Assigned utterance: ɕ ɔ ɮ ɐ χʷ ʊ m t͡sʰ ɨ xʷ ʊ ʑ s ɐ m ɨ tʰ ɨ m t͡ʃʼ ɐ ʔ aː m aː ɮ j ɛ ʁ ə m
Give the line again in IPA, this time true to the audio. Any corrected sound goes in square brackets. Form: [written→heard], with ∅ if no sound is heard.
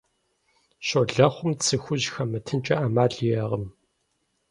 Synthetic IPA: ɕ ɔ ɮ ɐ χʷ ʊ m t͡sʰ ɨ xʷ ʊ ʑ [s→x] ɐ m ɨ tʰ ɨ [m→n] t͡ʃʼ ɐ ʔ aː m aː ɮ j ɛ ʁ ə m